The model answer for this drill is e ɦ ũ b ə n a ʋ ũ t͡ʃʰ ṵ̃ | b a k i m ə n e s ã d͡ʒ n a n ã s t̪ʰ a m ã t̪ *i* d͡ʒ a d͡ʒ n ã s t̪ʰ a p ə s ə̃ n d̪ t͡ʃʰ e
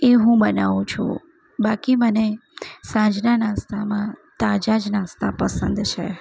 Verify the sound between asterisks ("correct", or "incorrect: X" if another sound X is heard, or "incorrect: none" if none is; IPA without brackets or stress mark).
incorrect: a